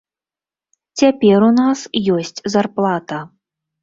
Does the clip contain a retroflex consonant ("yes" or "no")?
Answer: no